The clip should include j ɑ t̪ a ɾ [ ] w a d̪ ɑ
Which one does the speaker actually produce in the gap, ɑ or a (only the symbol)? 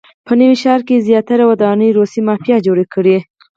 a